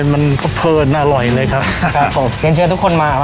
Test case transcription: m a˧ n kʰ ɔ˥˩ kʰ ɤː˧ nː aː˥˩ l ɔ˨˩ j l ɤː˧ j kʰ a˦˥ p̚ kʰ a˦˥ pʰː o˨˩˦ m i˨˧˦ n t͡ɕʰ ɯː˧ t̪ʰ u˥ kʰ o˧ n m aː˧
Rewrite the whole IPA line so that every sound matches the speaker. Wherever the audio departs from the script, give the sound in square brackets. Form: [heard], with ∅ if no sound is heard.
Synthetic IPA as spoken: m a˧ n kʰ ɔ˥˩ [pʰ] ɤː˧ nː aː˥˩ l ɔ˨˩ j l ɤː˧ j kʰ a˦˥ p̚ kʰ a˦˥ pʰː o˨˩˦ m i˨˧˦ n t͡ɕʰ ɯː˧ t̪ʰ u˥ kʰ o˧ n m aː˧